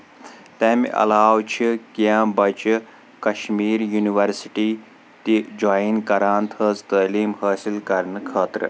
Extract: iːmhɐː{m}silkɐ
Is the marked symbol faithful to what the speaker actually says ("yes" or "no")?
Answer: no